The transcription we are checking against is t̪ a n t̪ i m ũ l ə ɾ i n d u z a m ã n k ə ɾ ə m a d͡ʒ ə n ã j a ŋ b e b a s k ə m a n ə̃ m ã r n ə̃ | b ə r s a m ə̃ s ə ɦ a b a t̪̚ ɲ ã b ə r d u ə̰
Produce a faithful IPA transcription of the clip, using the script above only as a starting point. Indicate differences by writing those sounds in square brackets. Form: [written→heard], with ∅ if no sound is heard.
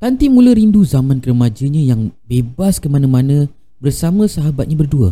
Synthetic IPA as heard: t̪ a n t̪ i m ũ l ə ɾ i n d u z a m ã n k ə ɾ ə m a d͡ʒ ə [n→ɲ] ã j a ŋ b e b a s k ə m a n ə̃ m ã [r→∅] n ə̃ | b ə r s a m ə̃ s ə ɦ a b a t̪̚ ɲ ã b ə r d u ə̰